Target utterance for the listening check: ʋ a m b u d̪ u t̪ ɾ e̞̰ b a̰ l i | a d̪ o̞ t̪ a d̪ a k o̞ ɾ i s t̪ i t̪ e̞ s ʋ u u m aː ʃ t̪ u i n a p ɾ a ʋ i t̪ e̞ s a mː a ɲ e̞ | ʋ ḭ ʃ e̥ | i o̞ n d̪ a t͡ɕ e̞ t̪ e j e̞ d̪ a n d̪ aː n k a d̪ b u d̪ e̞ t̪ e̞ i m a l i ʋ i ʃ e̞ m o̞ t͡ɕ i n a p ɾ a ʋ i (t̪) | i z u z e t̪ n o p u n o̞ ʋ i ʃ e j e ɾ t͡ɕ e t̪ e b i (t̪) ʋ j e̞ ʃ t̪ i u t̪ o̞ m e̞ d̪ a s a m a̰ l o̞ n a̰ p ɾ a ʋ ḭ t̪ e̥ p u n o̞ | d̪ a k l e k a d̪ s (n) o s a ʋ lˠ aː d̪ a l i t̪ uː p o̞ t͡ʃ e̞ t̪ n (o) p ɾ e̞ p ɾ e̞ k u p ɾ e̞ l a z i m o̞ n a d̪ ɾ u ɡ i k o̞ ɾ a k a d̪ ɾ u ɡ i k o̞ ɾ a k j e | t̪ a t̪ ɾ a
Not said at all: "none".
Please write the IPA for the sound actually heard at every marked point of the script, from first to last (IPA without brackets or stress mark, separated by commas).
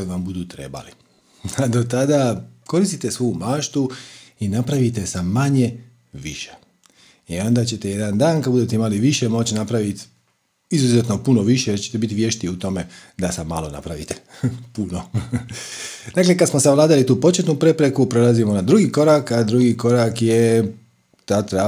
t̪, t̪, m, u